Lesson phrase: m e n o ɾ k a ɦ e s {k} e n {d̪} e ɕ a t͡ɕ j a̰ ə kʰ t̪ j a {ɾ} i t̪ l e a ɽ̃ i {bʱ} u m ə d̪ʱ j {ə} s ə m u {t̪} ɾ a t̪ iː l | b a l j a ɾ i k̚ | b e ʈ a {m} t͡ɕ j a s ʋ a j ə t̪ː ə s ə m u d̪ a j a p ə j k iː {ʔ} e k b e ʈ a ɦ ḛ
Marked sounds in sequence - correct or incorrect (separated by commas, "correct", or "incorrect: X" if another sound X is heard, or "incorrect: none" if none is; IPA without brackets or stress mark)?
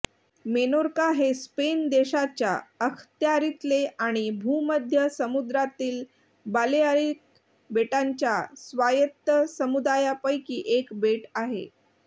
incorrect: p, correct, correct, correct, correct, incorrect: d̪, incorrect: ɲ, correct